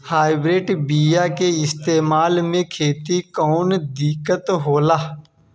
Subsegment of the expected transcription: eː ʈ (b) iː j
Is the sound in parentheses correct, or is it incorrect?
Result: correct